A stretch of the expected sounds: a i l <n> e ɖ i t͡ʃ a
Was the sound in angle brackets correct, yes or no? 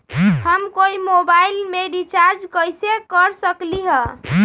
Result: no